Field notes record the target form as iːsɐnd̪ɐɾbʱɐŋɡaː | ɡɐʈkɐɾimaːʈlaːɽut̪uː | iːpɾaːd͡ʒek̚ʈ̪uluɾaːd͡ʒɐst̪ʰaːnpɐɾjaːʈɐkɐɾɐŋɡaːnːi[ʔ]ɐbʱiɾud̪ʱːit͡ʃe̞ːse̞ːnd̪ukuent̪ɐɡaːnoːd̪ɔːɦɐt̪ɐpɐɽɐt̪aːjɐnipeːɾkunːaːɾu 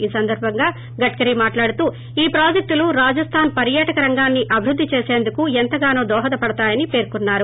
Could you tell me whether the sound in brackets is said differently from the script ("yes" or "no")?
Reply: no